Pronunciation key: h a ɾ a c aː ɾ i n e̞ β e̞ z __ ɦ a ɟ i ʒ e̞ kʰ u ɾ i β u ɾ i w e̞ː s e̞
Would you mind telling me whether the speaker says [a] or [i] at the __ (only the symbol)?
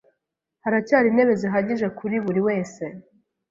i